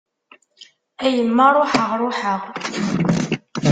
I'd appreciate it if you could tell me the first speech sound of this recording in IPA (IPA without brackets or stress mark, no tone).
æ